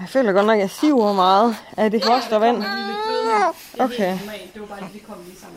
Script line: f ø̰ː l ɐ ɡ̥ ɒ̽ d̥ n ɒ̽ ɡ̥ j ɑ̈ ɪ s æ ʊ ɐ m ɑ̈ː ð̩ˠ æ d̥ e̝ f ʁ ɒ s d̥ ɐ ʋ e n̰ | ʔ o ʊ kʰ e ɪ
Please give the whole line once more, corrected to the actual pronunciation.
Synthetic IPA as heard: f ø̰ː l ɐ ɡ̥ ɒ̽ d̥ n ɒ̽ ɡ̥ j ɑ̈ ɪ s i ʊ ɐ m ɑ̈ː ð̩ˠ æ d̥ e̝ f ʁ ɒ s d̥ ɐ ʋ æ n̰ | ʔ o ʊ kʰ e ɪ